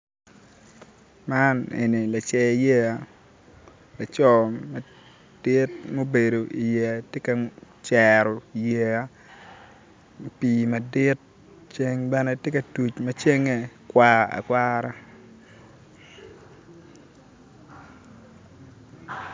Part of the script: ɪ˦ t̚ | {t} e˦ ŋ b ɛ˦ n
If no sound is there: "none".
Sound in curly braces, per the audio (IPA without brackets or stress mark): t͡ʃ